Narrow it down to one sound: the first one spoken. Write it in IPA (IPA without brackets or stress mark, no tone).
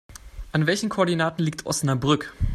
ʔ